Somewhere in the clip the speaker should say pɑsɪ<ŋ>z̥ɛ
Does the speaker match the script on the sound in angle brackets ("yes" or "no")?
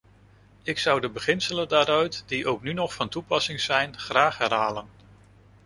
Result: yes